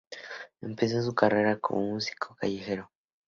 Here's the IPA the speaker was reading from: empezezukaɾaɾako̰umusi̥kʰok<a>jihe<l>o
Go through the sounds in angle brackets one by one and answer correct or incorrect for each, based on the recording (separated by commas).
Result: correct, incorrect